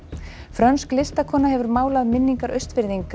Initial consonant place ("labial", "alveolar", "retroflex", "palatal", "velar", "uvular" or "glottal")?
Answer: labial